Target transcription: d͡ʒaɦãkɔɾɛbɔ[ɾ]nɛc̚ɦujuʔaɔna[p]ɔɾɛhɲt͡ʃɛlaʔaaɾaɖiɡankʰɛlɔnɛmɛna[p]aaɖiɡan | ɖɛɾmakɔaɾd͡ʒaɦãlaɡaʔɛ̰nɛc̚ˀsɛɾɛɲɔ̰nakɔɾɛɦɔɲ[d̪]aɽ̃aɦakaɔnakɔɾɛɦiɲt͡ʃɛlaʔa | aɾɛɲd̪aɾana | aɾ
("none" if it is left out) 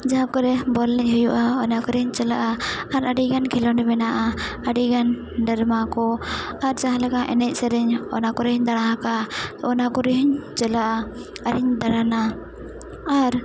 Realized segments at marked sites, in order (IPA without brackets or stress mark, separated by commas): l, k, ʔ, d̪